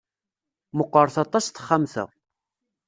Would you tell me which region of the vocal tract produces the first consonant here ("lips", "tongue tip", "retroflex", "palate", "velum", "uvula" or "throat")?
lips